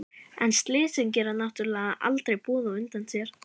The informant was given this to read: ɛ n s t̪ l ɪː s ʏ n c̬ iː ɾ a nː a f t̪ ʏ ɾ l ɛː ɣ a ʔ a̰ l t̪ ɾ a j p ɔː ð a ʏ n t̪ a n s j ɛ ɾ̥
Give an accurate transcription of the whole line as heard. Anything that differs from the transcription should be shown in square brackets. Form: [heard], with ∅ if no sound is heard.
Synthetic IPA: ɛ n s t̪ l ɪː s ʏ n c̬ [ɛː] ɾ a [n] a [h] t̪ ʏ ɾ l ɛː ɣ a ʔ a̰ l t̪ ɾ [e] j p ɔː ð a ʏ n t̪ a n s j ɛ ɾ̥